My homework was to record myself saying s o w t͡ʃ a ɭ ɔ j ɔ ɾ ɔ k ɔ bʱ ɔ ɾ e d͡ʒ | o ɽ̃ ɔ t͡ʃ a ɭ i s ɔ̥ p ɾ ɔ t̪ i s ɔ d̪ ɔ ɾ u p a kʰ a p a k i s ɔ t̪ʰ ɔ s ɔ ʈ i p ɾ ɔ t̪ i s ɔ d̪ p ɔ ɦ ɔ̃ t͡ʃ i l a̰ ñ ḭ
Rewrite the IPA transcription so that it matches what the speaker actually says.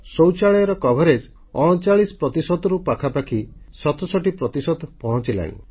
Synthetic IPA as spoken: s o w t͡ʃ a ɭ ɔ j ɔ ɾ ɔ k ɔ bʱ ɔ ɾ e d͡ʒ | ɔ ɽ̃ ɔ t͡ʃ a ɭ i s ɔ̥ p ɾ ɔ t̪ i s ɔ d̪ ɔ ɾ u p a kʰ a p a kʰ i s ɔ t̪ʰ ɔ s ɔ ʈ i p ɾ ɔ t̪ i s ɔ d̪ p ɔ ɦ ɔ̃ t͡ʃ i l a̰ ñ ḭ